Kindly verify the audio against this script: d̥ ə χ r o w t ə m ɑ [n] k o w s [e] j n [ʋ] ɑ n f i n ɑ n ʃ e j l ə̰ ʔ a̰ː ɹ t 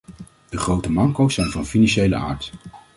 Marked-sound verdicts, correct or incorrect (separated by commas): incorrect, incorrect, incorrect